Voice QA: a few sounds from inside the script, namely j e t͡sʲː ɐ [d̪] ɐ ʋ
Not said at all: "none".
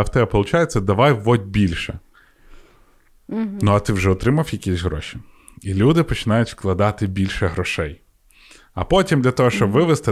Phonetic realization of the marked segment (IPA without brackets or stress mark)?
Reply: d̪